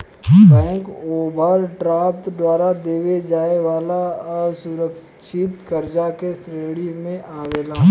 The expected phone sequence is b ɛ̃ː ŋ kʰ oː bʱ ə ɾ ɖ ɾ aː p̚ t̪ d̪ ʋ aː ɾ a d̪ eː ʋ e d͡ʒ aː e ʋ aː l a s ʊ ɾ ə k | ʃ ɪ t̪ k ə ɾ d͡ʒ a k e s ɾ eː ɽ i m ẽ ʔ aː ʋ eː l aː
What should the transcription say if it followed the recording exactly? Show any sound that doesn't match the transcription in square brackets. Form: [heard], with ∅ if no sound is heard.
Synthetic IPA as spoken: b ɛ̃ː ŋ [k] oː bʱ ə ɾ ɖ ɾ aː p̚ t̪ d̪ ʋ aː ɾ a d̪ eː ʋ e d͡ʒ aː e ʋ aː l a s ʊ ɾ ə k | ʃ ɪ t̪ k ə ɾ d͡ʒ a k e s ɾ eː ɽ i m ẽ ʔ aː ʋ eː l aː